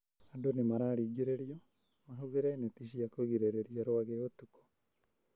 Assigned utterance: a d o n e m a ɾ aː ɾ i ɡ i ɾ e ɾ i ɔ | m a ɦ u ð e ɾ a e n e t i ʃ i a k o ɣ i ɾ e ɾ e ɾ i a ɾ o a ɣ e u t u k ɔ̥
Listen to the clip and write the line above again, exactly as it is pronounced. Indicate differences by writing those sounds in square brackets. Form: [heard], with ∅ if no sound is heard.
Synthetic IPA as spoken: a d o n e m a ɾ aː ɾ i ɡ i ɾ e ɾ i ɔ | m a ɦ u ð e ɾ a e n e t i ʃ i a k o ɣ i ɾ e ɾ e ɾ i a ɾ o a ɣ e [o] t u k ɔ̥